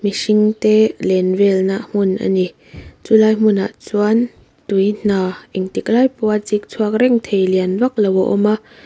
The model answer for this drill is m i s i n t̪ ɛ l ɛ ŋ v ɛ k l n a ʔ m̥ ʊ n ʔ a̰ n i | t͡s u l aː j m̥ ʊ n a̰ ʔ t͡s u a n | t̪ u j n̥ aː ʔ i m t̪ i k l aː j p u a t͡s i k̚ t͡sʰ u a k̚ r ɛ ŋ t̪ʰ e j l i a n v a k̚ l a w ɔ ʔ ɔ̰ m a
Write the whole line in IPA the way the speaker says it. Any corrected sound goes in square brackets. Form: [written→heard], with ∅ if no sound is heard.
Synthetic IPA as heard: m i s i [n→ŋ] t̪ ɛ l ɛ [ŋ→n] v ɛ [k→∅] l n a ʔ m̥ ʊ n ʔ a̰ n i | t͡s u l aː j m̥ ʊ n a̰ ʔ t͡s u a n | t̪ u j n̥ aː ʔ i [m→ŋ] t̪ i k l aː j p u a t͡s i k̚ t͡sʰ u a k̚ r ɛ ŋ t̪ʰ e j l i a n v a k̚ l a w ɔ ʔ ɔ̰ m a